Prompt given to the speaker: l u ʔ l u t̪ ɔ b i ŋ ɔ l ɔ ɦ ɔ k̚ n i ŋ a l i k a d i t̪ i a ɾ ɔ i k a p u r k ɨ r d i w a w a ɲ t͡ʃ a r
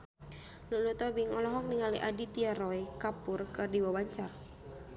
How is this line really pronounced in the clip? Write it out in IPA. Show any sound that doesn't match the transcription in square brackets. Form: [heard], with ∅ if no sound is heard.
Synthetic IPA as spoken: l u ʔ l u t̪ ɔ b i ŋ ɔ l ɔ ɦ ɔ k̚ n i ŋ a l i [ʔ] a d i t̪ i a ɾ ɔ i k a p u r k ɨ r d i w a w a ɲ t͡ʃ a r

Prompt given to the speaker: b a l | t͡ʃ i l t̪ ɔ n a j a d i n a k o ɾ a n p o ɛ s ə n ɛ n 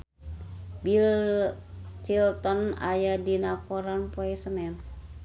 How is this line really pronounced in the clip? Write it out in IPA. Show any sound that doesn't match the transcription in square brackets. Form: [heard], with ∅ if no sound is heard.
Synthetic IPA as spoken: b [i] l | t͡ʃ i l t̪ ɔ n a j a d i n a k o ɾ a n p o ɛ s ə n ɛ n

